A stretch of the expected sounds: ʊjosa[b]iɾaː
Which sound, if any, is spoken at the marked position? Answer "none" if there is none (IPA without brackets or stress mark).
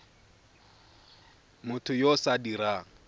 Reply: d